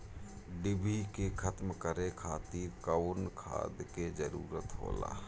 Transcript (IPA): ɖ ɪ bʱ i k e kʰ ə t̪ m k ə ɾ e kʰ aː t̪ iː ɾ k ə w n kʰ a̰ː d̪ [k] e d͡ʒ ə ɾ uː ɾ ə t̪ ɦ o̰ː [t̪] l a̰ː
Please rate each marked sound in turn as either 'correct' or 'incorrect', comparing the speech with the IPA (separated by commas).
correct, incorrect